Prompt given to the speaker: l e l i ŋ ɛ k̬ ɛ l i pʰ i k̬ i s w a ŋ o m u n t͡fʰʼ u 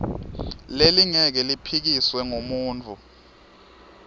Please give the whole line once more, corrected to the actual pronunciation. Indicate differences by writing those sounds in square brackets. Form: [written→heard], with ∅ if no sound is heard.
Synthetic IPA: l e l i ŋ ɛ k̬ ɛ l i pʰ i k̬ i s w [a→ɛ] ŋ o m [u→uː] n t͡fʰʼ u